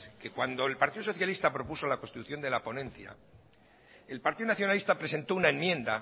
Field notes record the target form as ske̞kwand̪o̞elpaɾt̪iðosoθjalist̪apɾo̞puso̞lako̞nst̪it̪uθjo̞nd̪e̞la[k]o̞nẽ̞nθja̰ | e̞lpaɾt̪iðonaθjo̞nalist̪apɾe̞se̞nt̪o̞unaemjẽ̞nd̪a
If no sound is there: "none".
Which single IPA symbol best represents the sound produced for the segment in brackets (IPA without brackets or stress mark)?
p